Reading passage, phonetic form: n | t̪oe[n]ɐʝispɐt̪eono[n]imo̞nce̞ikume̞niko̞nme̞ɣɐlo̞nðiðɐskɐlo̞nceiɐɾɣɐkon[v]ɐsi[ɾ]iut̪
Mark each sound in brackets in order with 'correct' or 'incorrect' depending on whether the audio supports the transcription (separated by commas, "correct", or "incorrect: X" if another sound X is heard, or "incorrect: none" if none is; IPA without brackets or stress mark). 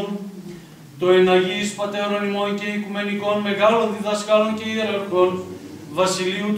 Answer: correct, correct, correct, incorrect: l